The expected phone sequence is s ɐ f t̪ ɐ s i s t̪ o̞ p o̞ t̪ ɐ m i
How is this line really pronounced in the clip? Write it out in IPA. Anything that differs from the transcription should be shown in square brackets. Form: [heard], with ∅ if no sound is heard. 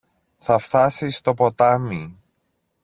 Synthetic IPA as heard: [θ] ɐ f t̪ ɐ s i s t̪ o̞ p o̞ t̪ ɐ m i